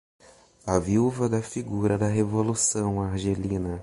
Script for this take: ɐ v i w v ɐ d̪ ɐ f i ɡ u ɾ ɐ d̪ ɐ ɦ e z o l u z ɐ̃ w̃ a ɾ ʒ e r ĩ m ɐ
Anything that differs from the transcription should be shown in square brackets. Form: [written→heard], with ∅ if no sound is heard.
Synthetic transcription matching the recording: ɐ v i w v ɐ d̪ ɐ f i ɡ u ɾ ɐ d̪ ɐ ɦ e [z→v] o l u [z→s] ɐ̃ w̃ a ɾ ʒ e [r→l] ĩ [m→n] ɐ